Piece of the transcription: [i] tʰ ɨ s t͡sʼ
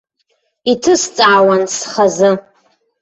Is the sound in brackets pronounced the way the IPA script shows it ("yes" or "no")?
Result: yes